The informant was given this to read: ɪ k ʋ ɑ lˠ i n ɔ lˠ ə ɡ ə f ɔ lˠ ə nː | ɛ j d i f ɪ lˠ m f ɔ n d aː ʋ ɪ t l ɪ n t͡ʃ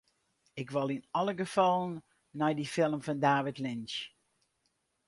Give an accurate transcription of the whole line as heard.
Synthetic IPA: ɪ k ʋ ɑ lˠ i n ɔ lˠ ə ɡ ə f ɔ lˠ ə nː | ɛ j d i f ɪ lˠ m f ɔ n d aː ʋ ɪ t l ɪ n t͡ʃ

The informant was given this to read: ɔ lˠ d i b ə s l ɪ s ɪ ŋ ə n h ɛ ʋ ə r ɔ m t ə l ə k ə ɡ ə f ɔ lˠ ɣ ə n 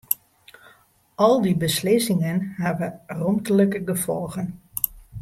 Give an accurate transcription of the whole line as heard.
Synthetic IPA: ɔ lˠ d i b ə s l ɪ s ɪ ŋ ə n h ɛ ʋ ə r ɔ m t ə l ə k ə ɡ ə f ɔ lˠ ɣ ə n

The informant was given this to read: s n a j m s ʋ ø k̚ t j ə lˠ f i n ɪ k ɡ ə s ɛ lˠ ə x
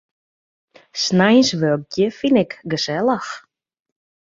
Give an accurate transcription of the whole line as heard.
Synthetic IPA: s n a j n s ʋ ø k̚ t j ə f i n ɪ k ɡ ə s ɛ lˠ ə x

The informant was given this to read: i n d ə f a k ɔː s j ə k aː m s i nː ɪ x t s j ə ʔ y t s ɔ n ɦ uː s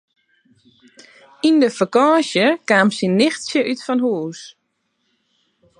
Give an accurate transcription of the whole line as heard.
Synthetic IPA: i n d ə f ə k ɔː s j ə k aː m s i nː ɪ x t s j ə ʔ y t f ɔ n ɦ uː s

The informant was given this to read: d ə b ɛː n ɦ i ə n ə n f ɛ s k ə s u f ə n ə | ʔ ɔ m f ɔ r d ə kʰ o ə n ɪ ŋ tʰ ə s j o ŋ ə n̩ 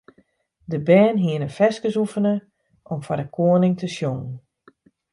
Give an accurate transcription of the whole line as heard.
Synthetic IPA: d ə b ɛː n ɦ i ə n ə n f ɛ s k ə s u f ə n ə | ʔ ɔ m f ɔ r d ə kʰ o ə n ɪ ŋ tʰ ə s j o ŋ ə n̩

